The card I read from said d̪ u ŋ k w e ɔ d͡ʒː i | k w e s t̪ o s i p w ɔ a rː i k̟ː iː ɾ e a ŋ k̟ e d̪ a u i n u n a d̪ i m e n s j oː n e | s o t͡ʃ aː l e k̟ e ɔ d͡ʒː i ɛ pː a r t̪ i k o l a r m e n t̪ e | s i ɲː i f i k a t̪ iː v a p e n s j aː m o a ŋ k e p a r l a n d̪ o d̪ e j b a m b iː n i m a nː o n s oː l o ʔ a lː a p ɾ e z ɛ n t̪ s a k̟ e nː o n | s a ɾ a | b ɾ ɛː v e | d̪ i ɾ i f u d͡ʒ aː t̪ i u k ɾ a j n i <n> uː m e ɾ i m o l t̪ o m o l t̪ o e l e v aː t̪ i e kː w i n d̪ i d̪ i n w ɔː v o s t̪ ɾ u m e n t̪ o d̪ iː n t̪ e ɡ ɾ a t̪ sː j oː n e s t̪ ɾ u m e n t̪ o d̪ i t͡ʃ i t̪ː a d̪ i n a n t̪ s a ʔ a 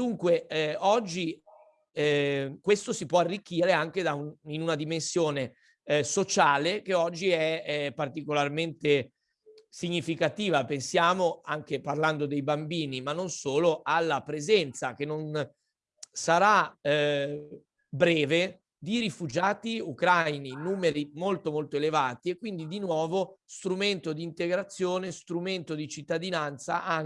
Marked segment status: correct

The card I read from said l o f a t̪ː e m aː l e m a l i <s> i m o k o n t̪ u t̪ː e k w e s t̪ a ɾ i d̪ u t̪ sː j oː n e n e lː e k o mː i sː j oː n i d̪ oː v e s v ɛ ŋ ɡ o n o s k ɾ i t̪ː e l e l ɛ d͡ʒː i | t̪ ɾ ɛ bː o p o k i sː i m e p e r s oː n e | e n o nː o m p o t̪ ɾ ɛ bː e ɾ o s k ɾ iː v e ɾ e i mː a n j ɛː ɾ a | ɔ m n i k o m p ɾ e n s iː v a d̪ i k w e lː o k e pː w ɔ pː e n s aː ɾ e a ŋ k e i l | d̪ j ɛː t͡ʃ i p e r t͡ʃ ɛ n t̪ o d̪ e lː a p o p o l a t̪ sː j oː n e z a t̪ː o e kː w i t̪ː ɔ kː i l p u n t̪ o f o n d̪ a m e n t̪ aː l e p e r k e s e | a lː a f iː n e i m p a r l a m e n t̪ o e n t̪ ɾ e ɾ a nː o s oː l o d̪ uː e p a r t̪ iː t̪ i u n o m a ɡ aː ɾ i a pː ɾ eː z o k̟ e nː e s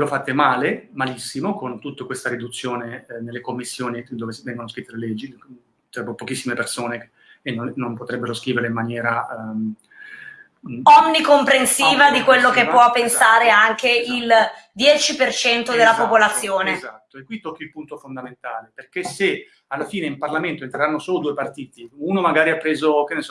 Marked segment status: incorrect: sː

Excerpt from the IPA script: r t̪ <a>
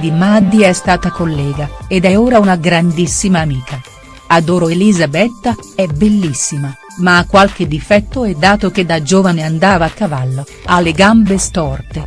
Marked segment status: incorrect: e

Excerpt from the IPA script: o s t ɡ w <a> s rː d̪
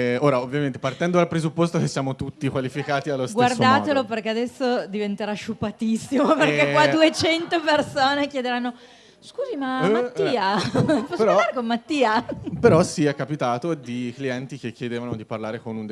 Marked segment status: correct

